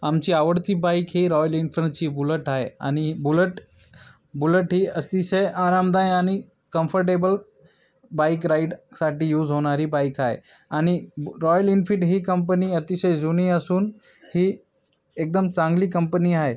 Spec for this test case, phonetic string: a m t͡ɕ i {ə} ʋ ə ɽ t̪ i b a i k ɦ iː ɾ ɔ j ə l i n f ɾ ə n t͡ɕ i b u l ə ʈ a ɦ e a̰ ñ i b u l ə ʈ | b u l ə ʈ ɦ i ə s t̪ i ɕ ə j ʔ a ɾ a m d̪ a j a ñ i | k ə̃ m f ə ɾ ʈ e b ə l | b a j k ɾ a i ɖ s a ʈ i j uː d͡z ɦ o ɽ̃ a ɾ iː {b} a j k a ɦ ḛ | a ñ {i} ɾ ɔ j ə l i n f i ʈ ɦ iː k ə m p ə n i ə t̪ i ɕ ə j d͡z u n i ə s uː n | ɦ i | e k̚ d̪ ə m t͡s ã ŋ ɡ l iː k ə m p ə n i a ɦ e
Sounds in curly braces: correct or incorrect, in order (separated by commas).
incorrect, correct, correct